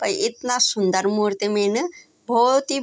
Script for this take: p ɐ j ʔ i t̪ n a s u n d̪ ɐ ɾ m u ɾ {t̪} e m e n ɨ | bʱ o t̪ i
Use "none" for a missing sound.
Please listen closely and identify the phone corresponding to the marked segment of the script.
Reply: t̪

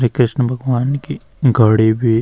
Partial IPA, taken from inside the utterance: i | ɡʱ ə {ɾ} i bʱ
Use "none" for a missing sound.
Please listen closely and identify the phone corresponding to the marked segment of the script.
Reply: ɽ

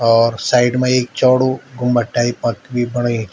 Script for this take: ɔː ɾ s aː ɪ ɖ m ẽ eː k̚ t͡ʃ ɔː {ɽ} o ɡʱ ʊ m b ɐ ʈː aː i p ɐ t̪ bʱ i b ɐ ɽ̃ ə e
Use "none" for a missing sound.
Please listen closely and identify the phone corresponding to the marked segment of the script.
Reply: ɽ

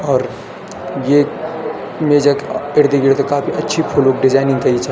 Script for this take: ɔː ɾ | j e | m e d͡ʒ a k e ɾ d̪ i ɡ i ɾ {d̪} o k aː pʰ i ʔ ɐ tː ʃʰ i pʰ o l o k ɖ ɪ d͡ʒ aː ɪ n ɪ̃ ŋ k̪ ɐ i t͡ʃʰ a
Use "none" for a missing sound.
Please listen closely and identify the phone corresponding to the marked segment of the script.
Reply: t̪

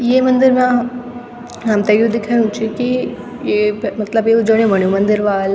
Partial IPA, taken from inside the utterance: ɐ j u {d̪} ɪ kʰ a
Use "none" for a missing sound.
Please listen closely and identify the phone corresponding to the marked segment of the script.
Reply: d̪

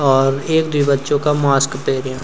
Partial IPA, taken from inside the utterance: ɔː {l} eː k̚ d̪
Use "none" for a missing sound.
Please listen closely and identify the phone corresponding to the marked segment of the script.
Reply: ɾ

